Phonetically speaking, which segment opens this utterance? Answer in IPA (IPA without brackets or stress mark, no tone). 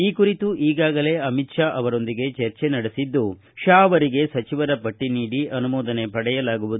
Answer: iː